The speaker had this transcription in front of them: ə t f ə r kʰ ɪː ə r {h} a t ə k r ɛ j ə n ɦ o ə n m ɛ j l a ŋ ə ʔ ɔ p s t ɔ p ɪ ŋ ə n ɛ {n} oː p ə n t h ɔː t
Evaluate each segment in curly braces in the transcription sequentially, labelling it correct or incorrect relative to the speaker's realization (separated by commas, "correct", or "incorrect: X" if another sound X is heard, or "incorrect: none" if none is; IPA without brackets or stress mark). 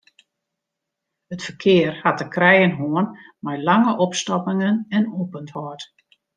correct, correct